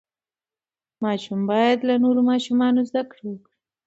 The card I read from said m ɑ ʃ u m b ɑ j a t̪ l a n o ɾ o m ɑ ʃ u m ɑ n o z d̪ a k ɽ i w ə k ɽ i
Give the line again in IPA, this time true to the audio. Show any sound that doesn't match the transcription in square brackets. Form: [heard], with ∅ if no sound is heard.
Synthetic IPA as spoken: m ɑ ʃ u m b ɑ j a [d̪] l a n o ɾ o m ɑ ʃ u m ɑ n o z d̪ a k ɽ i w ə k ɽ i

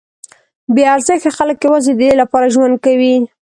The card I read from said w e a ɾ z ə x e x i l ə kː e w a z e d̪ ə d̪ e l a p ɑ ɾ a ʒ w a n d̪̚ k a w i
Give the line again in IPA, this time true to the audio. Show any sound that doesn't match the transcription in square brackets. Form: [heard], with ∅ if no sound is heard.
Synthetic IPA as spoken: [b] e a ɾ z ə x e x [a] l ə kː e w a z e d̪ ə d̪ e l a p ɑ ɾ a ʒ w a n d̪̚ k a w i

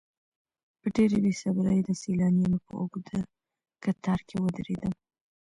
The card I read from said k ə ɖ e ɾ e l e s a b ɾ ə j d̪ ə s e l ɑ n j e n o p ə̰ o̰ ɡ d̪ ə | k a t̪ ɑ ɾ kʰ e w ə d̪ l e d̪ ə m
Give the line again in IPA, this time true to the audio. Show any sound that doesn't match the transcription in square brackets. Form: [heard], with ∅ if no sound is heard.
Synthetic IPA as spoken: [p] ə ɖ e ɾ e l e s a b ɾ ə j d̪ ə s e l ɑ n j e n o p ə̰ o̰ ɡ d̪ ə | k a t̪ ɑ ɾ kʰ e w ə d̪ [ɾ] e d̪ ə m

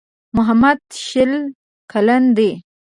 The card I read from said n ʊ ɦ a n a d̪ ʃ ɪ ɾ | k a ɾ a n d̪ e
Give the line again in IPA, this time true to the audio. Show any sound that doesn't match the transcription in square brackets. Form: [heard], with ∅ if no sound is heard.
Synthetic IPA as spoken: [m] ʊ ɦ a [m] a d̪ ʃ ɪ [l] | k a [l] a n d̪ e

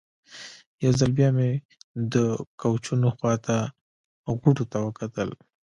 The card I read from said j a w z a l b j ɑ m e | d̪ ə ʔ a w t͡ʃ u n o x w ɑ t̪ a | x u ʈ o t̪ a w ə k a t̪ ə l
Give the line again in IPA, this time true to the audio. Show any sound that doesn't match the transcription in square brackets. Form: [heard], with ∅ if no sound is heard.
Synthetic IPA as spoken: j a w z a l b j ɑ m e | d̪ ə [k] a w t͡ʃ u n o x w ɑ t̪ a | [ɣ] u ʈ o t̪ a w ə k a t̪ ə l

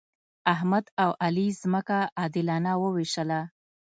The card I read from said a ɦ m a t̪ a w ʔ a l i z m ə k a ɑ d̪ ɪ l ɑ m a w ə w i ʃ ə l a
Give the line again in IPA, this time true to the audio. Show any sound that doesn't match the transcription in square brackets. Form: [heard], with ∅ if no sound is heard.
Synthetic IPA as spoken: a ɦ m a [d̪] a w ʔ a l i z m ə k a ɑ d̪ ɪ l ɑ [n] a w ə w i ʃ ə l a

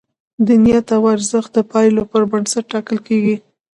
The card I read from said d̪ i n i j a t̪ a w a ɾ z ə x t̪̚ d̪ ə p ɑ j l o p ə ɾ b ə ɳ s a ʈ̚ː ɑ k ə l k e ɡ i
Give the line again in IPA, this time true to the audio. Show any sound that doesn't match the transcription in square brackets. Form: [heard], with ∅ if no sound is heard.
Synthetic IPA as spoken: d̪ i n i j a t̪ a w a ɾ z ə x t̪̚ d̪ ə p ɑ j l o p ə ɾ b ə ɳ s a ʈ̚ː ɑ k ə l k e ɡ i

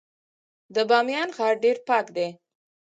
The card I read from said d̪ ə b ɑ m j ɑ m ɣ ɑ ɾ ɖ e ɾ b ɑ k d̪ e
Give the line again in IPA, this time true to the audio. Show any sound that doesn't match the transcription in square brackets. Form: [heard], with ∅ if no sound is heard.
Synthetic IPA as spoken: d̪ ə b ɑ m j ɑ [n] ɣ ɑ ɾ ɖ e ɾ [p] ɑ k d̪ e

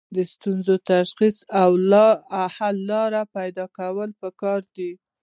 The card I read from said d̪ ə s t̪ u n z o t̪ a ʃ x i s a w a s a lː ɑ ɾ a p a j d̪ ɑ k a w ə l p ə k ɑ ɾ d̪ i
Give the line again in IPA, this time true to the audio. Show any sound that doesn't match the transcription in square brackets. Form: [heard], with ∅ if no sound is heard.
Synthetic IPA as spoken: d̪ ə s t̪ u n z o t̪ a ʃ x i s a w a [h] a lː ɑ ɾ a p a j d̪ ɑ k a w ə l p ə k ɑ ɾ d̪ i

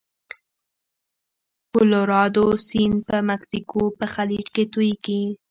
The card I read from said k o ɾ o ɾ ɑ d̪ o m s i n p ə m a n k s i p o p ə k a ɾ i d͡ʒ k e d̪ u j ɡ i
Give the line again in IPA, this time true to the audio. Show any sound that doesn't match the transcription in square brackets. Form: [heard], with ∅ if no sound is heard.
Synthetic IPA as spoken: k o [l] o ɾ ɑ d̪ o [∅] s i n p ə m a [∅] k s i [k] o p ə [x] a [l] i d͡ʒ k e [t̪] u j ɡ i

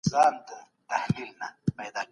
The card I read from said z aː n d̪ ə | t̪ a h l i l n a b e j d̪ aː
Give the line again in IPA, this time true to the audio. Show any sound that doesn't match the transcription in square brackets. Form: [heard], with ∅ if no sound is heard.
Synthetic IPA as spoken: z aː n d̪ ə | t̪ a h l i l n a [m] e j d̪ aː

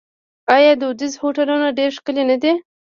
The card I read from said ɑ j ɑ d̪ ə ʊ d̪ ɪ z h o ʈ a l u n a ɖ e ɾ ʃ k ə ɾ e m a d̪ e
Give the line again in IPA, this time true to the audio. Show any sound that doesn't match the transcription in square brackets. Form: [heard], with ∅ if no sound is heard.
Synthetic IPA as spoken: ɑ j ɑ d̪ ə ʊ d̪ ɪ z h o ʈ a l u n a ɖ e ɾ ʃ k ə [l] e [n] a d̪ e

